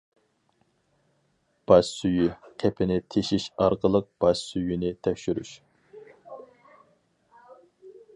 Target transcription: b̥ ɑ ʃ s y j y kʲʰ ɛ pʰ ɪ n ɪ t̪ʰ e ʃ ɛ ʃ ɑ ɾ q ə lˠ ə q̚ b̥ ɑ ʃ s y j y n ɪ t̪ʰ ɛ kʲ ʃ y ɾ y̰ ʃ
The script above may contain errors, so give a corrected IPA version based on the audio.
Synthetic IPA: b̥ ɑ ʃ s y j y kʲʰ ɛ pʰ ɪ n ɪ t̪ʰ e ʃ i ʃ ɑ ɾ q ə lˠ ə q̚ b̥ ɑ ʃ s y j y n ɪ t̪ʰ ɛ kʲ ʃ y ɾ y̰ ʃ